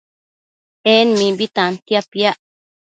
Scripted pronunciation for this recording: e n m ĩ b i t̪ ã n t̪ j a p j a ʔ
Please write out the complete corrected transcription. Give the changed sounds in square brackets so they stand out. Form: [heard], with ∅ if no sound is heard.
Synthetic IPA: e n m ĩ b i t̪ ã n t̪ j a p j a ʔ